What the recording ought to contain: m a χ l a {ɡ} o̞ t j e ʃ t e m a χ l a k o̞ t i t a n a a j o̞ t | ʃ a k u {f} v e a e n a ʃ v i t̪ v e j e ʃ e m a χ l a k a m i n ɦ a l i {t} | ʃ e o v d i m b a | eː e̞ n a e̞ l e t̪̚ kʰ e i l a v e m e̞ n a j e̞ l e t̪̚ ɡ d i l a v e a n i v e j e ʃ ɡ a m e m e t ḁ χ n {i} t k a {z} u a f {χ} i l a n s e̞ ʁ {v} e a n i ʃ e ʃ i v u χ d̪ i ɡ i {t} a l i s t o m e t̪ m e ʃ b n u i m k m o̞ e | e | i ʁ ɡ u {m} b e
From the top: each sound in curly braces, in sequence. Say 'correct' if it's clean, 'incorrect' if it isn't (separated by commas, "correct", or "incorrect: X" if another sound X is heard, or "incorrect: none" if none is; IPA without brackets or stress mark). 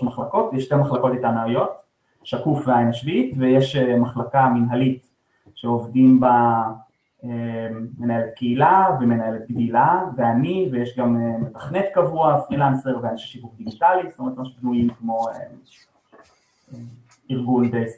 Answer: incorrect: k, correct, correct, incorrect: e, incorrect: v, incorrect: ʁ, correct, correct, incorrect: n